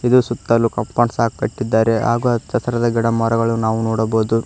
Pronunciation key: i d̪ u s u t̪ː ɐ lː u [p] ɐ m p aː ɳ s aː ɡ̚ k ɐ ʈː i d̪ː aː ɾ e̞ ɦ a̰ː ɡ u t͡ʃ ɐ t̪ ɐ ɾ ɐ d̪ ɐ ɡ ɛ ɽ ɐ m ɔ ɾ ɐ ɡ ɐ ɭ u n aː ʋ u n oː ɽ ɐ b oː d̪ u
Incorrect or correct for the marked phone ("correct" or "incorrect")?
incorrect